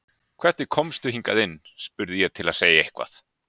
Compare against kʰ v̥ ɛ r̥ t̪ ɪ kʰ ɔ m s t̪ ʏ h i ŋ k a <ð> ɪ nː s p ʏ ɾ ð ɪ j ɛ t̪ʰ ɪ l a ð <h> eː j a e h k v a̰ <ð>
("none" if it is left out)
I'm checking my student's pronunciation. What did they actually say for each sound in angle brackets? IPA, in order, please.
ð, s, θ

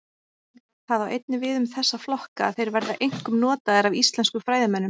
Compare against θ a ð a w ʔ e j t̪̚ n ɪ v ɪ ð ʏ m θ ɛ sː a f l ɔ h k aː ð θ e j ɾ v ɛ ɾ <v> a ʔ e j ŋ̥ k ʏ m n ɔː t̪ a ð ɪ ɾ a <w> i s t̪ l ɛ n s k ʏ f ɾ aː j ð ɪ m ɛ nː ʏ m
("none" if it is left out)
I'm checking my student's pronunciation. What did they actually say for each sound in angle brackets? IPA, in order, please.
ð, v

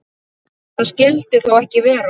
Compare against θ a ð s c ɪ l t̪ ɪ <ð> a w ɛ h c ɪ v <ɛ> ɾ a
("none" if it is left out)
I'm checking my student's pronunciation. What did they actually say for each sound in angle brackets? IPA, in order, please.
θ, ɛː

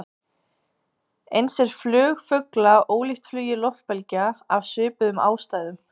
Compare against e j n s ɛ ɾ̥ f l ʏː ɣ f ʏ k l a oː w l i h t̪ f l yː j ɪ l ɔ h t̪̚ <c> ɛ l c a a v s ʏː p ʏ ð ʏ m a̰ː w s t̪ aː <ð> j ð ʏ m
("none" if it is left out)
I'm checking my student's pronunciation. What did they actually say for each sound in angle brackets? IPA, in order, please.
p, none

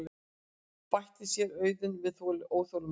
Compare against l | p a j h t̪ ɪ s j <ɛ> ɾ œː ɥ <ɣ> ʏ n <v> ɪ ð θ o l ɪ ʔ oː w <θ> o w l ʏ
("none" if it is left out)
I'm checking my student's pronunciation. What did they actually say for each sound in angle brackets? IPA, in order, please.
ɛ, ð, v, θ

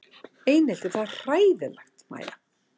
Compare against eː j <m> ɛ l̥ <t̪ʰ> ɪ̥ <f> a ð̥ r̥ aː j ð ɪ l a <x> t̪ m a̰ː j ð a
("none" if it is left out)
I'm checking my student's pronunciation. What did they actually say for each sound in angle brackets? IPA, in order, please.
n, t̪, θ, x

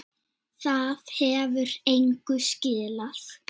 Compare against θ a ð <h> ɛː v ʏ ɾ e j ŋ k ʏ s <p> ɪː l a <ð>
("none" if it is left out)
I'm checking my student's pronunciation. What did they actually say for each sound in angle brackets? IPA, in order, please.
h, c, θ

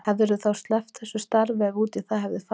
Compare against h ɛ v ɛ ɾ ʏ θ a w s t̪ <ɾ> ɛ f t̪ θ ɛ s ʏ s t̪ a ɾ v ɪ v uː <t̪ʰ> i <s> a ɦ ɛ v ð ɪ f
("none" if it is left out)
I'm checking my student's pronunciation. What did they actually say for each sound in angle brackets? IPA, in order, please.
l, t̪, θ

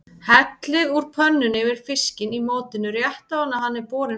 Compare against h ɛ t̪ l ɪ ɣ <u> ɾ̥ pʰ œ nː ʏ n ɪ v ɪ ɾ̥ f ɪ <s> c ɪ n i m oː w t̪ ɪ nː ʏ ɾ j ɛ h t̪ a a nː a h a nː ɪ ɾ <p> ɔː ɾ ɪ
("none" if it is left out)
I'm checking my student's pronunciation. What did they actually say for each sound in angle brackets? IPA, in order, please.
u, s, p

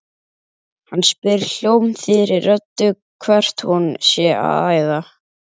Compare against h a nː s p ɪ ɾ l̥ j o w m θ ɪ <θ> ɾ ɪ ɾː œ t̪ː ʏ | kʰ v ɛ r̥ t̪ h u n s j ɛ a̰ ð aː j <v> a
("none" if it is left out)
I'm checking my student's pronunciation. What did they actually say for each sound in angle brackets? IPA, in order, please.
none, ð

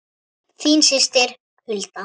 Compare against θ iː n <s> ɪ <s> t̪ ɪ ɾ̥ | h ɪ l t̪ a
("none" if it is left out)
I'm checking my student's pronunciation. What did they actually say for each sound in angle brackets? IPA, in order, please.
s, s

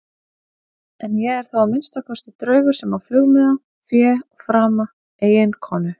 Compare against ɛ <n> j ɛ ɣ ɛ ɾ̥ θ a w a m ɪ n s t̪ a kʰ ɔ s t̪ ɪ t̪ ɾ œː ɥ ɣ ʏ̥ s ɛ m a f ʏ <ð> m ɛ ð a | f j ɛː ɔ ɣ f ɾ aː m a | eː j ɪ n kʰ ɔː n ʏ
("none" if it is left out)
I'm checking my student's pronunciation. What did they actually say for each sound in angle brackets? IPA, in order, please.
n, ɣ

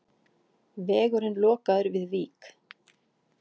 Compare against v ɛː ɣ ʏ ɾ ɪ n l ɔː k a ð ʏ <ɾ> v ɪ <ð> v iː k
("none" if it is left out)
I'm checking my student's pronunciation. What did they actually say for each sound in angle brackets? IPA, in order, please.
ɾ, ð

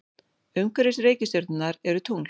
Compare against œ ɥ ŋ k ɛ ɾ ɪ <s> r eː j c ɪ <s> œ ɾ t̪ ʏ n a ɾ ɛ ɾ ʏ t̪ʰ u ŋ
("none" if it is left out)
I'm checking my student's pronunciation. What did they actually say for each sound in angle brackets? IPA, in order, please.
s, s

